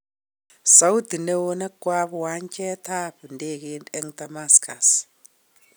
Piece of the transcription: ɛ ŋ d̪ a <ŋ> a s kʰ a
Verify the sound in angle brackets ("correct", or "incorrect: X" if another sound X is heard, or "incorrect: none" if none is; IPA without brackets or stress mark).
incorrect: m